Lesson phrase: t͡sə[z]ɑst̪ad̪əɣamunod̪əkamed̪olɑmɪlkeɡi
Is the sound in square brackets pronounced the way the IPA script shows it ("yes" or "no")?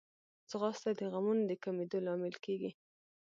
no